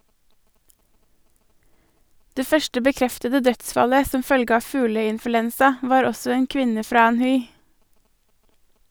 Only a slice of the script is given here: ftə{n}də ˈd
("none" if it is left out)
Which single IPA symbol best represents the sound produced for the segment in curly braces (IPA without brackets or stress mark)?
none